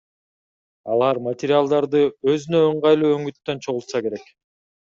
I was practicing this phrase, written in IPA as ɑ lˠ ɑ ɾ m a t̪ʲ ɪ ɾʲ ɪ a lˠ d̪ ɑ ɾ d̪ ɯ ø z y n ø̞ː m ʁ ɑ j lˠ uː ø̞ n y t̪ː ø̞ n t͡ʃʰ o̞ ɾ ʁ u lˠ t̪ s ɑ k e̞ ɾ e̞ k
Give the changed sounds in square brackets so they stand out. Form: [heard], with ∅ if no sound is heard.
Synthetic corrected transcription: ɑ lˠ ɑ ɾ m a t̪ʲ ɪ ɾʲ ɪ a lˠ d̪ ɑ ɾ d̪ ɯ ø z y n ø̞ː [ɴ] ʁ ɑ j lˠ uː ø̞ [ŋ] y t̪ː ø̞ n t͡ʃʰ o̞ [∅] ʁ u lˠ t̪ s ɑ k e̞ ɾ e̞ k

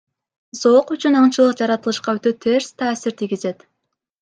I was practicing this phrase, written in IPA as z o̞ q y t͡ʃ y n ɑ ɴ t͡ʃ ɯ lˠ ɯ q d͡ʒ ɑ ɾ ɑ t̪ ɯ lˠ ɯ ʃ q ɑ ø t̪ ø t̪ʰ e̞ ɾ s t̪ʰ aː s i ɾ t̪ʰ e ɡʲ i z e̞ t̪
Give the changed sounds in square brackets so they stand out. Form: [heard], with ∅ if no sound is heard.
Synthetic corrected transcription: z o̞ q y t͡ʃ y n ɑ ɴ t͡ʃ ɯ lˠ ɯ q d͡ʒ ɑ ɾ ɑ t̪ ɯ lˠ ɯ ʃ q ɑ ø t̪ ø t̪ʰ e̞ ɾ s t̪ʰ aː s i ɾ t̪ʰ [i] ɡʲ i z e̞ t̪

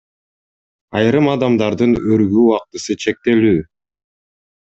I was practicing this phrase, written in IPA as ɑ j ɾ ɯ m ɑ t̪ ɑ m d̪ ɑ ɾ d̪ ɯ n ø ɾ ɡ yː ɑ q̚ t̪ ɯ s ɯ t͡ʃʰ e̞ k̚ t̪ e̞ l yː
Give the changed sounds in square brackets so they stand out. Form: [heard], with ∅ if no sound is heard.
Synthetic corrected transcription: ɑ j ɾ ɯ m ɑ [d̪] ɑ m d̪ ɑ ɾ d̪ ɯ n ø ɾ ɡ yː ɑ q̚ t̪ ɯ s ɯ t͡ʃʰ e̞ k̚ t̪ e̞ l yː

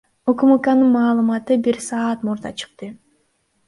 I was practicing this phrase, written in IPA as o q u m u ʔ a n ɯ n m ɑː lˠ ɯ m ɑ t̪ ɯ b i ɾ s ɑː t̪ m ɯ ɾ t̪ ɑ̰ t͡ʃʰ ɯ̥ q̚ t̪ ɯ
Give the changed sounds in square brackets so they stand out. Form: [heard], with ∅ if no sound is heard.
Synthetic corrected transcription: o [k] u m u [k] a n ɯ n m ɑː lˠ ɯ m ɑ t̪ ɯ b i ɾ s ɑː t̪ m [u] ɾ [d̪] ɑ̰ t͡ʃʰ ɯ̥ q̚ t̪ ɯ

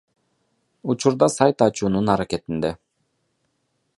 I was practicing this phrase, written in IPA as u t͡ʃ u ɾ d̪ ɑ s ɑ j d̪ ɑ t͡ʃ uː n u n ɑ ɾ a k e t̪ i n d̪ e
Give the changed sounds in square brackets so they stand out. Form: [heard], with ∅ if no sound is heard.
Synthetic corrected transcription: u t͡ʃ u ɾ d̪ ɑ s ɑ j [t̪] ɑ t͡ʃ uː n u n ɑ ɾ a k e t̪ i n d̪ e

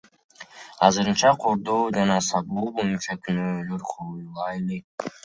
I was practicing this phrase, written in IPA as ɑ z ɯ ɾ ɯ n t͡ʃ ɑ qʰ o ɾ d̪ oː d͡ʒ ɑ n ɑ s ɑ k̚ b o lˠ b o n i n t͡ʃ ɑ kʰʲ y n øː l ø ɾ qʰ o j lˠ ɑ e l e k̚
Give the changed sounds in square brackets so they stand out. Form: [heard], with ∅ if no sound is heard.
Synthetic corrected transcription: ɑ z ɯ ɾ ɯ n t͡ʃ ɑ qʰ o ɾ d̪ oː d͡ʒ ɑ n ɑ s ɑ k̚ b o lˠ b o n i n t͡ʃ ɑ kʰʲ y n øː l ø ɾ qʰ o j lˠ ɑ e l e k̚

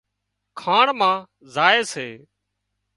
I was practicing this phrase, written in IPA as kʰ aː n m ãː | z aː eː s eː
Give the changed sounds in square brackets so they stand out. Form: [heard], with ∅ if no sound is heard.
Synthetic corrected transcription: kʰ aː [ɳ] m ãː | z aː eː s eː

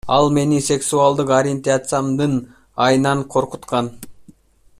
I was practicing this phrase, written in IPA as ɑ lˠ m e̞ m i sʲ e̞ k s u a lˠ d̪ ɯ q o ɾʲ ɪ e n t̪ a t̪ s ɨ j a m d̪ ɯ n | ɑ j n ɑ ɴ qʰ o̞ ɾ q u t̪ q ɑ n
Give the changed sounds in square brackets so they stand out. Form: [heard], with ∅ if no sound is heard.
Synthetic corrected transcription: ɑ lˠ m e̞ [n] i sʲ e̞ k s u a lˠ d̪ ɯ q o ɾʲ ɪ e n t̪ a t̪ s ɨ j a m d̪ ɯ n | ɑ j n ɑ ɴ qʰ o̞ ɾ q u t̪ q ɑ n

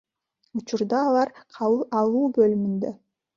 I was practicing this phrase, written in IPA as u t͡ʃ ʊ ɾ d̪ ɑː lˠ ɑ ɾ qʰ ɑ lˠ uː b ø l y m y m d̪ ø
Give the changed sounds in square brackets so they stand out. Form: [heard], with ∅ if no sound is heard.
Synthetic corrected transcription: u t͡ʃ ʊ ɾ d̪ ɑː lˠ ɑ ɾ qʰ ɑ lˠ uː b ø l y m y [n] d̪ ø

